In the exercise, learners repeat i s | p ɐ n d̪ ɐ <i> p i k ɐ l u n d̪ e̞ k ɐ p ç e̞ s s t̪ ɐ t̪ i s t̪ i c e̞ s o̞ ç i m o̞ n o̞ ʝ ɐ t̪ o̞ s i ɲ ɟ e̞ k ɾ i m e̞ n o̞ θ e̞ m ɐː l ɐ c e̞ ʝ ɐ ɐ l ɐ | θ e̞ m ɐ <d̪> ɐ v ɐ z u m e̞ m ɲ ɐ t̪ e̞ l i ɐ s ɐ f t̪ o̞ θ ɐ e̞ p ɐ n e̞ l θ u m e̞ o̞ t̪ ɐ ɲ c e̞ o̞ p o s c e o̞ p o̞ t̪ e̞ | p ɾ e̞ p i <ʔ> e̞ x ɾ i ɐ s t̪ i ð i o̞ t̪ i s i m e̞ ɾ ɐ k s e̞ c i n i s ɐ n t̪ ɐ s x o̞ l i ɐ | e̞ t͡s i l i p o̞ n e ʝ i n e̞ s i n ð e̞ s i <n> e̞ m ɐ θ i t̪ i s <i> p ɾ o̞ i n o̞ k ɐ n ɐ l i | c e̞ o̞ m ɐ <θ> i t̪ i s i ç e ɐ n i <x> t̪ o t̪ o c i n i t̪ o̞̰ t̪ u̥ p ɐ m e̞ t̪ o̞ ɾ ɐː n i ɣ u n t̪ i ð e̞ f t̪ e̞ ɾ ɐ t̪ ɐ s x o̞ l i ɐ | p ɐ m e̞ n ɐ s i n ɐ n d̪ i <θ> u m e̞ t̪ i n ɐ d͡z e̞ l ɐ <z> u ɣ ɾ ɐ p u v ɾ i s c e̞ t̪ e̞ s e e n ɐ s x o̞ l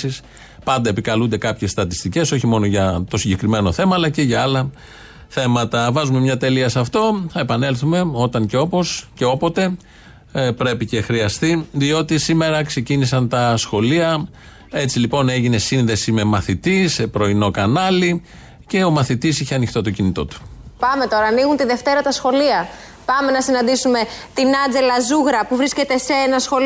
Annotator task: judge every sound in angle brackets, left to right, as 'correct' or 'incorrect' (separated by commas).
incorrect, incorrect, incorrect, incorrect, incorrect, correct, correct, incorrect, correct